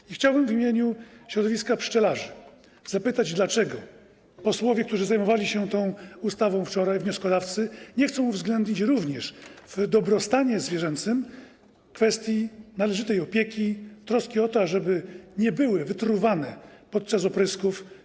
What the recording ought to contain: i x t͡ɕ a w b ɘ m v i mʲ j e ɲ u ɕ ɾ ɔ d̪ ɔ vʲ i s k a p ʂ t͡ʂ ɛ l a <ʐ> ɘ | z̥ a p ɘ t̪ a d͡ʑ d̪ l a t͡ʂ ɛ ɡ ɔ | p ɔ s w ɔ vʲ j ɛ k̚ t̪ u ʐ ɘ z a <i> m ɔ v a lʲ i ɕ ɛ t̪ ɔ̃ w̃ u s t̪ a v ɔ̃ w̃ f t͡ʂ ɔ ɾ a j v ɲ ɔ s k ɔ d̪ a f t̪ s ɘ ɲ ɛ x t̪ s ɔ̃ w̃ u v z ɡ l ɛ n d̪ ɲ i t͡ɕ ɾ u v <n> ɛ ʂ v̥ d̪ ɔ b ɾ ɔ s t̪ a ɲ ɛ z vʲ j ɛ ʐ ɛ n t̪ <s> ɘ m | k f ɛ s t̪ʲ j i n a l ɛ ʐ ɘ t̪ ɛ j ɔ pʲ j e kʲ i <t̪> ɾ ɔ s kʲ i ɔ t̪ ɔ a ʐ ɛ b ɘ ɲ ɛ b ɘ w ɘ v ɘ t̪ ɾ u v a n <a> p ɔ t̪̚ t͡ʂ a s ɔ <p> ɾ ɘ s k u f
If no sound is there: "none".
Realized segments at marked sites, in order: ʐ, j, ɲ, s, t̪, ɛ, p

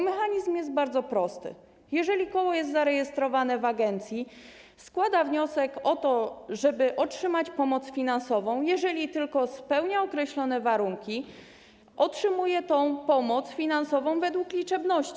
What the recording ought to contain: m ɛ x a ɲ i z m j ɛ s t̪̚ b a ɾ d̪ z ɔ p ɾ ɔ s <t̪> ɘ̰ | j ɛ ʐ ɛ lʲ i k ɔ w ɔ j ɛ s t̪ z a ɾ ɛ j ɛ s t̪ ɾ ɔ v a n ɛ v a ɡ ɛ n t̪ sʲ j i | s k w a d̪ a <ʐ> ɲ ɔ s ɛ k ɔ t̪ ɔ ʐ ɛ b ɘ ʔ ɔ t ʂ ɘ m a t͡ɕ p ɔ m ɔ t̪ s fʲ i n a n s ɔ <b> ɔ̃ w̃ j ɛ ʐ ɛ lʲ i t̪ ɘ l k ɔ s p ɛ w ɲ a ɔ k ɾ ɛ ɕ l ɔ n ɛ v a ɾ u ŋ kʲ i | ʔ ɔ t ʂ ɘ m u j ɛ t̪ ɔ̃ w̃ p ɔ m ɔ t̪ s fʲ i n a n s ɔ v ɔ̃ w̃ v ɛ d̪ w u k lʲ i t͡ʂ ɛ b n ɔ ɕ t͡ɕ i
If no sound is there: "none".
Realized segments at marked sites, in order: t̪, v, v

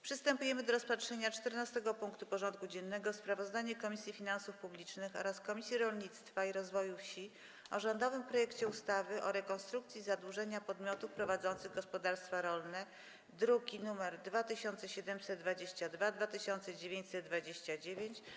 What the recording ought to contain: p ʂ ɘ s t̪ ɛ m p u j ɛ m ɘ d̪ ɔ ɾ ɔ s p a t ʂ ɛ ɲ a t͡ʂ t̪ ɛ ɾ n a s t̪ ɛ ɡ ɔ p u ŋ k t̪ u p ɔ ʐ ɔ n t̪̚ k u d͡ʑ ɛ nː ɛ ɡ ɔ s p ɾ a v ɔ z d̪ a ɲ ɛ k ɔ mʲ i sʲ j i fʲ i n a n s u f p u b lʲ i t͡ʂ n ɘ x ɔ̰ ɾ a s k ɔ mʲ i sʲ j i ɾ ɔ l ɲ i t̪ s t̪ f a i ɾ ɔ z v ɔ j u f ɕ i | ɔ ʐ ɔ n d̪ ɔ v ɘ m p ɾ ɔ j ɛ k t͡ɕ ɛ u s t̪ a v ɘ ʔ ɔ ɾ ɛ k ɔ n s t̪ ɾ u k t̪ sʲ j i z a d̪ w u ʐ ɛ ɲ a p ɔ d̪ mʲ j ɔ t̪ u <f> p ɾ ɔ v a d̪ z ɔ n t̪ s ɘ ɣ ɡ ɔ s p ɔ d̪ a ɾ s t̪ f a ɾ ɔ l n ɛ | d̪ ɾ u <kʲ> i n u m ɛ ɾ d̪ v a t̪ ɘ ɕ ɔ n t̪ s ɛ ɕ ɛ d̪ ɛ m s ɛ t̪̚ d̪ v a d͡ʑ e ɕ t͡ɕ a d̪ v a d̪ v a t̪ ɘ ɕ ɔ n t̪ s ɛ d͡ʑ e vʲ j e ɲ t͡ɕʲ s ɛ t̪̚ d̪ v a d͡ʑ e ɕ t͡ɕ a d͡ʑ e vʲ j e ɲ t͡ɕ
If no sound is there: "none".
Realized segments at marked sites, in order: f, ɡʲ

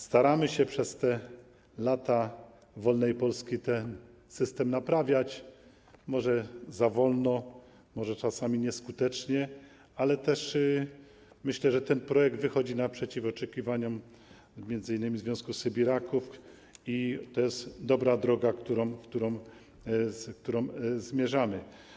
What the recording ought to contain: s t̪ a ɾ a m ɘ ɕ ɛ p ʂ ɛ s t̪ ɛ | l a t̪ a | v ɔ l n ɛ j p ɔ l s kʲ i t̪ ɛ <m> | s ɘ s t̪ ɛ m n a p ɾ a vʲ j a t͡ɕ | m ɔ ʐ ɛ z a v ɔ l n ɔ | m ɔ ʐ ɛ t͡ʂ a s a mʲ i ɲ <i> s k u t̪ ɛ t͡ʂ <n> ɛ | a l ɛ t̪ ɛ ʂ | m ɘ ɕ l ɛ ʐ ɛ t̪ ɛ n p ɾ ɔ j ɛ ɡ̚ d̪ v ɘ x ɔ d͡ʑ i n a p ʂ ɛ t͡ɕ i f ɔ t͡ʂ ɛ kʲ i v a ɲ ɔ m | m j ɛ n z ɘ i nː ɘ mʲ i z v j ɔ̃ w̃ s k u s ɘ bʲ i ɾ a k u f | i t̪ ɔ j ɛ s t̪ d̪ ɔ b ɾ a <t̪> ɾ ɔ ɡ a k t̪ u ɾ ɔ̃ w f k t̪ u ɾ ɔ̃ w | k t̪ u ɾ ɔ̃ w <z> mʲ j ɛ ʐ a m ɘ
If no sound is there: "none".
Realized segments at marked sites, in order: n, ɛ, ɲ, d̪, z

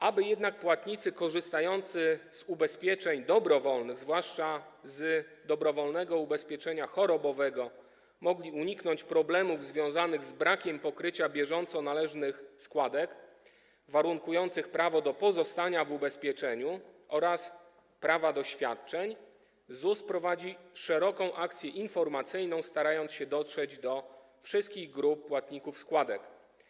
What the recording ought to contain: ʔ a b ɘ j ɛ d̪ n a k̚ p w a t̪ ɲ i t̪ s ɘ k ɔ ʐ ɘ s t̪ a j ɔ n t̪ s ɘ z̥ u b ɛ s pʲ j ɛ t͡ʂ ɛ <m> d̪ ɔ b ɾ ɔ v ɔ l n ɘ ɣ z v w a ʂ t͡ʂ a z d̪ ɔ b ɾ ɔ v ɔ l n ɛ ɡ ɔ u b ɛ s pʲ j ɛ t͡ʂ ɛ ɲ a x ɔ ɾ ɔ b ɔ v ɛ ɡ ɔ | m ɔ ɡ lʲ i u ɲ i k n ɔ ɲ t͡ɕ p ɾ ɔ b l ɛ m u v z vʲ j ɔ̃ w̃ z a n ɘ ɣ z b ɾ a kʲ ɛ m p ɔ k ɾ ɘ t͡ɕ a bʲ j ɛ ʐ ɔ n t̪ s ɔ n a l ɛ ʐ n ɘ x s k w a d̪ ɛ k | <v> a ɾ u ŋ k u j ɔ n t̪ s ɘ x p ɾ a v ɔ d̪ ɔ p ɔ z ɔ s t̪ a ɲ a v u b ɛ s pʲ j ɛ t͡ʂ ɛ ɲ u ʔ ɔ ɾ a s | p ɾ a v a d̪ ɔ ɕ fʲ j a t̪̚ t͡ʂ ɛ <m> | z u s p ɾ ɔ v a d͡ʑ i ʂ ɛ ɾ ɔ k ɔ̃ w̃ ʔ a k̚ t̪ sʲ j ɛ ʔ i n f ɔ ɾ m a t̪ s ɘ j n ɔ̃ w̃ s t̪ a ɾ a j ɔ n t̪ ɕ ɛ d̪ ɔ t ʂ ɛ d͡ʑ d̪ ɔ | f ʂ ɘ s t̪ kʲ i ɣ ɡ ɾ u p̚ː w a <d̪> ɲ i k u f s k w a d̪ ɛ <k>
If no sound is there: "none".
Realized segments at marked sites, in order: ɲ, v, ɲ, t̪, k

